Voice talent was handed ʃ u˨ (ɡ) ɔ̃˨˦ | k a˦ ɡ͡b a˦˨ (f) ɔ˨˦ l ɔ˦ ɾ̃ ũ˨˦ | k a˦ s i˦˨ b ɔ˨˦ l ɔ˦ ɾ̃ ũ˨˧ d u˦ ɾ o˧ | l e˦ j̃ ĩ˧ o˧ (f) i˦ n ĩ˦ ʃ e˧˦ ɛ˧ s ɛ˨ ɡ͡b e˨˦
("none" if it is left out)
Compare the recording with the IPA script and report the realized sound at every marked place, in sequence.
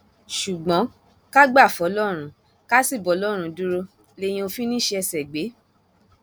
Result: ɡ͡b, f, f

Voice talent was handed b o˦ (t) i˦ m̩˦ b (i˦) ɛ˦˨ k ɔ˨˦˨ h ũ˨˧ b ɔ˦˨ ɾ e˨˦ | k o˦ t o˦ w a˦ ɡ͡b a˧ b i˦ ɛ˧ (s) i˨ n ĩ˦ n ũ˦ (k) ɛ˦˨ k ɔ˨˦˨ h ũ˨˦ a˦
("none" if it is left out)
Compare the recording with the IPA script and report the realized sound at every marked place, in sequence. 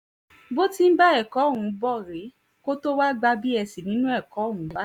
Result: t, a˦, s, none

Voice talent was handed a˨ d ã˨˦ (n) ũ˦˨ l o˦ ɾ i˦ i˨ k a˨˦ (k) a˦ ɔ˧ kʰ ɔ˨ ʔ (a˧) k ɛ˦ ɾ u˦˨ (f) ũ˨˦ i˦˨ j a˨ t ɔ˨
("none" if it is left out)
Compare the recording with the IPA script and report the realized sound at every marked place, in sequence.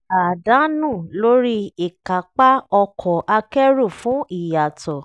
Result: n, k͡p, a˧, f

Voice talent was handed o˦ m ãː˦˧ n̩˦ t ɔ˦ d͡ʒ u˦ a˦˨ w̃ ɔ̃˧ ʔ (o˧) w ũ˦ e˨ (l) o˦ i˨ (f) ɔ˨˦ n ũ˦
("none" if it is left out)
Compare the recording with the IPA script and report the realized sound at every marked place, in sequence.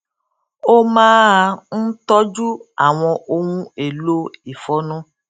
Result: o˧, l, f

